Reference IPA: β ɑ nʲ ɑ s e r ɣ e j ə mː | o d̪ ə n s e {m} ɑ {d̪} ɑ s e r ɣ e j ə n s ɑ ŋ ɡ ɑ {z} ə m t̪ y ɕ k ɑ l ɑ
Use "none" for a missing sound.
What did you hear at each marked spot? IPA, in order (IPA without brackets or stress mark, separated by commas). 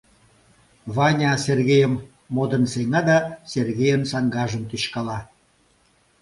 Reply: ŋ, d̪, ʒ